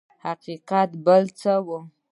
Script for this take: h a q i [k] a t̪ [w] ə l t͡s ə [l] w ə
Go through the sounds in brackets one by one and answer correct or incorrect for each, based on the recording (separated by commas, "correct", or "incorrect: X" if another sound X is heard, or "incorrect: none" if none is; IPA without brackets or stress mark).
incorrect: q, incorrect: b, incorrect: none